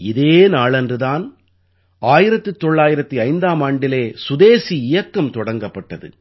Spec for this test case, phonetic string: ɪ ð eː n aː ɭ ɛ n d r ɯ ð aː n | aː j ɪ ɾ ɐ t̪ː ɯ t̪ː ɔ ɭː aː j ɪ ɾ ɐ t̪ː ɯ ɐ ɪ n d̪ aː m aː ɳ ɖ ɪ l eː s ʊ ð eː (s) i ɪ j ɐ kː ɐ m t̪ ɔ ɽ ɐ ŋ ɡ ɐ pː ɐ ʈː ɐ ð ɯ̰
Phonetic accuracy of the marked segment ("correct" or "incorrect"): correct